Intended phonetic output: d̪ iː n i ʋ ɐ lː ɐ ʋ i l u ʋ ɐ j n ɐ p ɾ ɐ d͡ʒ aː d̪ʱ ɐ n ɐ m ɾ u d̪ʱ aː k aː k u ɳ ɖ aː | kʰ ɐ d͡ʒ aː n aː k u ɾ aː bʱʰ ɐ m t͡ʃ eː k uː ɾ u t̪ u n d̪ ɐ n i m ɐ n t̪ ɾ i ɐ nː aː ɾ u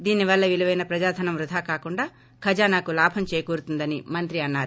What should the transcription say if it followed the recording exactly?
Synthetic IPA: d̪ iː n i ʋ ɐ lː ɐ ʋ i l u ʋ ɐ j n ɐ p ɾ ɐ d͡ʒ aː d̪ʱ ɐ n ɐ m ɾ u d̪ʱ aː k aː k u ɳ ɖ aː | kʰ ɐ d͡ʒ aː n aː k u l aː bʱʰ ɐ m t͡ʃ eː k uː ɾ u t̪ u n d̪ ɐ n i m ɐ n t̪ ɾ i ɐ nː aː ɾ u